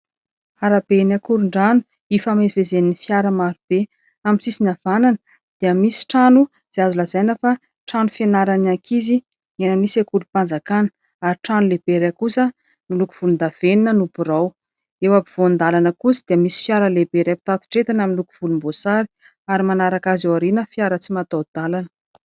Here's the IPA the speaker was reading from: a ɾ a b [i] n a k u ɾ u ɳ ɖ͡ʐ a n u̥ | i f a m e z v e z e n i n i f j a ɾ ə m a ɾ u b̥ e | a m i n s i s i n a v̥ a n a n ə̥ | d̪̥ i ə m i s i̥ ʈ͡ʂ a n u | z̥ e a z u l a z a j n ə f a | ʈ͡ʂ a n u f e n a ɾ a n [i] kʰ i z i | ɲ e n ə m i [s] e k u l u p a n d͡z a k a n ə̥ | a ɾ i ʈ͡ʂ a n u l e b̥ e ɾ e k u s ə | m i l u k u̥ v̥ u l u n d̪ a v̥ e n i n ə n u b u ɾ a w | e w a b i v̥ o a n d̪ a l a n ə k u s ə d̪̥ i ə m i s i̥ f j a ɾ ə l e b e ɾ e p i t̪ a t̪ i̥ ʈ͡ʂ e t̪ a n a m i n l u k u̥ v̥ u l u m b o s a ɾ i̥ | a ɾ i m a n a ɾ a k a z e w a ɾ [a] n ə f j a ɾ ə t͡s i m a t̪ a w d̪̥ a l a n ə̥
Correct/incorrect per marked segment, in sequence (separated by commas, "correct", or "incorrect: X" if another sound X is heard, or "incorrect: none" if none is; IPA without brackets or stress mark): incorrect: e, incorrect: a, correct, incorrect: i